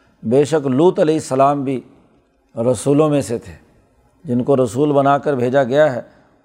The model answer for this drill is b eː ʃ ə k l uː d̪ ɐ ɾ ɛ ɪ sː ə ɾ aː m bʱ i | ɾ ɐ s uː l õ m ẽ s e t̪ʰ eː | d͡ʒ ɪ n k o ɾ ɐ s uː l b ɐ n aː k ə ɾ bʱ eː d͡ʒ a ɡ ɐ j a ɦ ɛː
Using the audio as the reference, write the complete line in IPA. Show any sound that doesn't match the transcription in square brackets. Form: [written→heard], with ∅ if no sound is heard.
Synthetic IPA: b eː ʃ ə k l uː [d̪→t̪] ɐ [ɾ→l] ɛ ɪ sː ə [ɾ→l] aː m bʱ i | ɾ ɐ s uː l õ m ẽ s e t̪ʰ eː | d͡ʒ ɪ n k o ɾ ɐ s uː l b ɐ n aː k ə ɾ bʱ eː d͡ʒ a ɡ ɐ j a ɦ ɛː